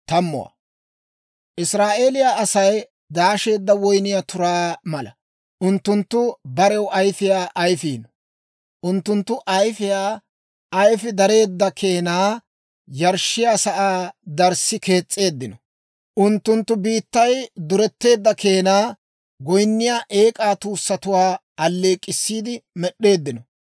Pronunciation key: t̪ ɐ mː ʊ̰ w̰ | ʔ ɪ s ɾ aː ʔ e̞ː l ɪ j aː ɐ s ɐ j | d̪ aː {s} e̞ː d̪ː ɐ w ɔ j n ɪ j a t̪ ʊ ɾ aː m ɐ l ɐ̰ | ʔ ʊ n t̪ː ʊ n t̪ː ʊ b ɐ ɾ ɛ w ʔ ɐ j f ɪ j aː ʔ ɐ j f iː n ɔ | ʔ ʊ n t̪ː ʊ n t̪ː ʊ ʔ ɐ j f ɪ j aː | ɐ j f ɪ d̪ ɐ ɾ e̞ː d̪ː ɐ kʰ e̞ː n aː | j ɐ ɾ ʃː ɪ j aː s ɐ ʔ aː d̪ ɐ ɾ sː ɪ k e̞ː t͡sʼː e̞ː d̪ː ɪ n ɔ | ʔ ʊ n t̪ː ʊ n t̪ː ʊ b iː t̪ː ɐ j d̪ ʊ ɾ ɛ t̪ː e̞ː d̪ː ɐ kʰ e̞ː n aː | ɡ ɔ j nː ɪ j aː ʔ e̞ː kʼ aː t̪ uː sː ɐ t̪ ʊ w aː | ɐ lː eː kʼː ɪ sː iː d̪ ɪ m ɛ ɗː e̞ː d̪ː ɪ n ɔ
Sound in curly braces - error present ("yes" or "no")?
yes